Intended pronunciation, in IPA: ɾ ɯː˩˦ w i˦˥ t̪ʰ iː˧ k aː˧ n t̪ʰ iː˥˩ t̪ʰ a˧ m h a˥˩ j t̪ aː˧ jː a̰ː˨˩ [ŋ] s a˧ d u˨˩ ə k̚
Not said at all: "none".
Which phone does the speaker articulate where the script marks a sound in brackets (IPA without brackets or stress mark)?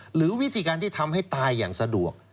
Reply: ŋ